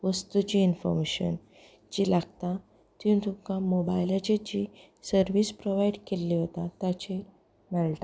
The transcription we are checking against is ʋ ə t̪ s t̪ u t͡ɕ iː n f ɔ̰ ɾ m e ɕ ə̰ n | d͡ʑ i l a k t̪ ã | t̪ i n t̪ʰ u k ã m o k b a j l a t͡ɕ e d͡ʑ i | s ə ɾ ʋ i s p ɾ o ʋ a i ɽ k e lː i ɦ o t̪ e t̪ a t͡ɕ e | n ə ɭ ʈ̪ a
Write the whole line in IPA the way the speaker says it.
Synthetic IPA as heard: ʋ ə s t̪ u t͡ɕ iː n f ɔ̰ ɾ m e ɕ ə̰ n | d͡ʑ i l a ɡ t̪ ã | t̪ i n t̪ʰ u k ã m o b a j l a t͡ɕ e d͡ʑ i | s ə ɾ ʋ i s p ɾ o ʋ a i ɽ k e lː i ɦ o t̪ a t̪ a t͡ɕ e | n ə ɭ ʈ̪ a